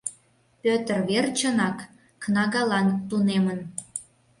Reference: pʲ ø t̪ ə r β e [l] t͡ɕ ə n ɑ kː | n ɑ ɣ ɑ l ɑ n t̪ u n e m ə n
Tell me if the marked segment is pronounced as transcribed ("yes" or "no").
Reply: no